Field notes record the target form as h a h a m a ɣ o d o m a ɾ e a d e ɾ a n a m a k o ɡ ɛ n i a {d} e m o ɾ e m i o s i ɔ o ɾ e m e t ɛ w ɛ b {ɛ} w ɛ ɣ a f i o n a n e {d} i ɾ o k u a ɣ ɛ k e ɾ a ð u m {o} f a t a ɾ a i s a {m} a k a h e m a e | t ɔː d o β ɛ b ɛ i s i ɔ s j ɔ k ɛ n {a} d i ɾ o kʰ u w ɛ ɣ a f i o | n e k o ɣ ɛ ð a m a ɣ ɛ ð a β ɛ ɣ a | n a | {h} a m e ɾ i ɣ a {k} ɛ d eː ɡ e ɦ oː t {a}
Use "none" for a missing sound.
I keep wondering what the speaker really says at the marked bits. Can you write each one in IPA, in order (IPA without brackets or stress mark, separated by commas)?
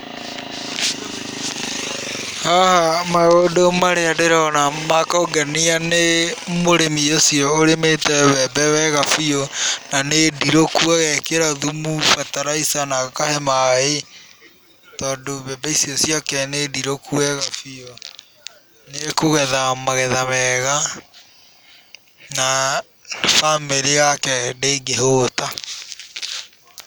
n, ɛ, d, u, n, e, f, k, a